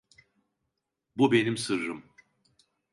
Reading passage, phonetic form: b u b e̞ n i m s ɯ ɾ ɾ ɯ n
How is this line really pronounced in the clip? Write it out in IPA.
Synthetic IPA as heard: b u b e̞ n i m s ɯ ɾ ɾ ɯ m